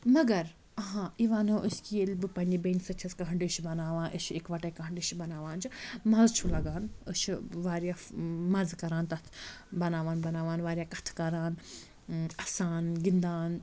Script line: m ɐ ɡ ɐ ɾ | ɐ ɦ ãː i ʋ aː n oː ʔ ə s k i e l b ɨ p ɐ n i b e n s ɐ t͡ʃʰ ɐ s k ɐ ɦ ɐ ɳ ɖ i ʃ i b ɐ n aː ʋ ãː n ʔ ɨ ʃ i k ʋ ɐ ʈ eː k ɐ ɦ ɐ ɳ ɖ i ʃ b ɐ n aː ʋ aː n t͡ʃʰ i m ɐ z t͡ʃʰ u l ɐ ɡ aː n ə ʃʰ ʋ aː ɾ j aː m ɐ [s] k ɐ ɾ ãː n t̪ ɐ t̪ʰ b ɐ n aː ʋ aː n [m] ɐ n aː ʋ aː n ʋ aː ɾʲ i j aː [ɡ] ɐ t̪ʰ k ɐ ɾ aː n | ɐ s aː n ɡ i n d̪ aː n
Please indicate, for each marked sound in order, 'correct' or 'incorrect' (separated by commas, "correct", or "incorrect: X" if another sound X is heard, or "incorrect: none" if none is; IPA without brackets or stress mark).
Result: incorrect: z, incorrect: b, incorrect: k